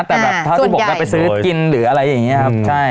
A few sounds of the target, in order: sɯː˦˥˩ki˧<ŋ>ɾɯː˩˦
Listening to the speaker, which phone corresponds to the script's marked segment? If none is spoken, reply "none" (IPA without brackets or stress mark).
n